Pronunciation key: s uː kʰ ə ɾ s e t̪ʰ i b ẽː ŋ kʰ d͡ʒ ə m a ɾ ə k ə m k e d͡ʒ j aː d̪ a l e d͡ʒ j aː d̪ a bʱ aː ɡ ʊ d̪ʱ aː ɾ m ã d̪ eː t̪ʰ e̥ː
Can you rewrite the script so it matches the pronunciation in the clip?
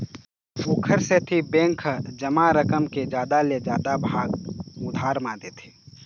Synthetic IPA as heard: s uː kʰ ə ɾ s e t̪ʰ i b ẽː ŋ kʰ d͡ʒ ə m a ɾ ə k ə m k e d͡ʒ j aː d̪ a l e d͡ʒ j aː d̪ a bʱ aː ɡ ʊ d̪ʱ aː ɾ m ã d̪ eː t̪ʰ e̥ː